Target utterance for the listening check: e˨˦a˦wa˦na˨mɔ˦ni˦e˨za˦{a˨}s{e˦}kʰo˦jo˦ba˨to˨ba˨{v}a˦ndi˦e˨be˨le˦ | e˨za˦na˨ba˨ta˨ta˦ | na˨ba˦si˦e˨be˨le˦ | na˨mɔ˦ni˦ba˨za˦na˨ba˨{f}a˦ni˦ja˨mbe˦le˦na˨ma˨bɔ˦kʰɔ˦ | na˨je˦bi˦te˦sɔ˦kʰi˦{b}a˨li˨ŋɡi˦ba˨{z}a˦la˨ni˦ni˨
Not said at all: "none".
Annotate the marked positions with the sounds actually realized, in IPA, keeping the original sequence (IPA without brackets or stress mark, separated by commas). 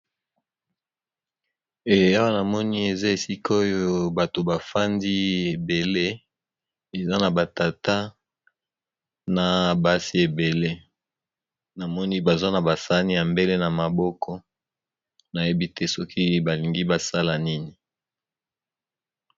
e˨, i˦, f, s, b, s